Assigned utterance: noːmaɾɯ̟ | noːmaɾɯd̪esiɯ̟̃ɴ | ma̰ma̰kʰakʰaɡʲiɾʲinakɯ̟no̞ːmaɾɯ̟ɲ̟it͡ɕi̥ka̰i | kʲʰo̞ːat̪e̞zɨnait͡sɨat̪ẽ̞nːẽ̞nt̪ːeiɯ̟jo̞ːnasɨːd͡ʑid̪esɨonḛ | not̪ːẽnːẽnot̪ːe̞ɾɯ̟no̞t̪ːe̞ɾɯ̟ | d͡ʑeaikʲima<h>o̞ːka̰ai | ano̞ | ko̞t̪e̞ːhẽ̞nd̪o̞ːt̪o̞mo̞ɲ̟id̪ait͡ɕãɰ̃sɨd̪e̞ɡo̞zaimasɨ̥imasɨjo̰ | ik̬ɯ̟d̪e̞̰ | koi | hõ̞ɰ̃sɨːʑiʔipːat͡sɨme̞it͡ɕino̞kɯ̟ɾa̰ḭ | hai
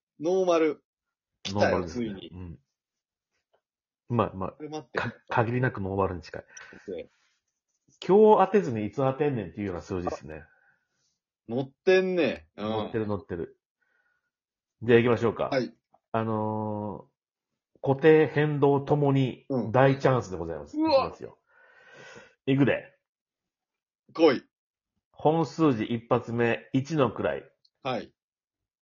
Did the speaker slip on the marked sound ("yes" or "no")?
yes